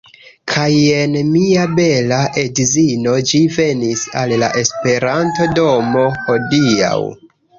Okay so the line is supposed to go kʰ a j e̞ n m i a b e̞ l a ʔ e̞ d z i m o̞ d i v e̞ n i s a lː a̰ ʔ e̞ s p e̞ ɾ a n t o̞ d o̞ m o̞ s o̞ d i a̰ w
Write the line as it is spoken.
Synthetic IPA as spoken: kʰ a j e̞ n m i a b e̞ l a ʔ e̞ d z i n o̞ d͡ʒ i v e̞ n i s a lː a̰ ʔ e̞ s p e̞ ɾ a n t o̞ d o̞ m o̞ h o̞ d i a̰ w